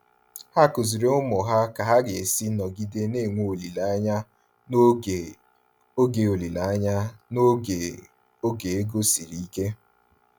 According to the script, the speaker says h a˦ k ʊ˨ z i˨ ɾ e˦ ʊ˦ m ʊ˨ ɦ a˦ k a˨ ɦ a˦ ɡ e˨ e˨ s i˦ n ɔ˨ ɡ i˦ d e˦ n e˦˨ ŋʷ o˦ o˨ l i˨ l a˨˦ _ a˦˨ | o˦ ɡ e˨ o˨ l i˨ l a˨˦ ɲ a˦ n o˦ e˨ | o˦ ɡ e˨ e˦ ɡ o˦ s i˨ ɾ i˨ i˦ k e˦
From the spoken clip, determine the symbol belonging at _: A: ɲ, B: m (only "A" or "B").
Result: A